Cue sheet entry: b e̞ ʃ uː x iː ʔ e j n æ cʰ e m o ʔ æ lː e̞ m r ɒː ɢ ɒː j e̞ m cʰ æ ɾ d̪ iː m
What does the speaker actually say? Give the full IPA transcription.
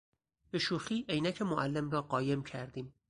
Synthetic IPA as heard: b e̞ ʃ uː x iː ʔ e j n æ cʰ e m o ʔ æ lː e̞ m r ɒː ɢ ɒː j e̞ m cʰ æ ɾ d̪ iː m